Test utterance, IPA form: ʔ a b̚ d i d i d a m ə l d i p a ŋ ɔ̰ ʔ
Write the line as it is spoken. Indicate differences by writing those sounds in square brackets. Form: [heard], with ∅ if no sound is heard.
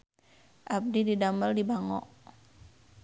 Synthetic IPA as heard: ʔ a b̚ d i d i d a m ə l d i [b] a ŋ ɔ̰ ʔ